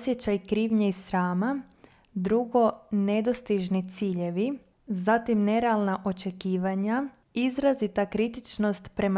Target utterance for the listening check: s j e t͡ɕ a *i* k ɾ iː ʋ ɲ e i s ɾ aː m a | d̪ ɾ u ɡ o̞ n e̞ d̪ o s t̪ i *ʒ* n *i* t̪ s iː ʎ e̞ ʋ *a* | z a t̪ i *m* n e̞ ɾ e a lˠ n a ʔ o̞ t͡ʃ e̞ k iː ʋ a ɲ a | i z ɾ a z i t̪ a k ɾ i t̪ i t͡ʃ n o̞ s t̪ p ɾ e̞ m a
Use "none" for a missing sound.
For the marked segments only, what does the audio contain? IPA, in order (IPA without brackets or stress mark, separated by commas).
j, ʒ, i, i, m